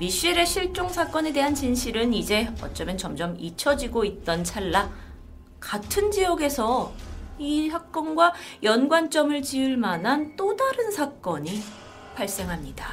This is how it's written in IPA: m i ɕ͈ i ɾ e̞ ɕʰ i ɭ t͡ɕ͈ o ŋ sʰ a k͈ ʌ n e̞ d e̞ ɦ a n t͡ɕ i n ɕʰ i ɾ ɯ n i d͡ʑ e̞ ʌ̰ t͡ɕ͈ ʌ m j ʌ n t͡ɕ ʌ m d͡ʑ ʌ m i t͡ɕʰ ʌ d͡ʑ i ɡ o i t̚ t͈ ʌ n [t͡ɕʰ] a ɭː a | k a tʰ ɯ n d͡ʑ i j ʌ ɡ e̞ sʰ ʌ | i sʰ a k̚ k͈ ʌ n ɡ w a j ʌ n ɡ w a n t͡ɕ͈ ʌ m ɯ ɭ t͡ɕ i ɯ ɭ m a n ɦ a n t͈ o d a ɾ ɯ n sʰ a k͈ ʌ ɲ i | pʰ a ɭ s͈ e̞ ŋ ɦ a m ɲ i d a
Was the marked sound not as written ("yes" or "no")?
no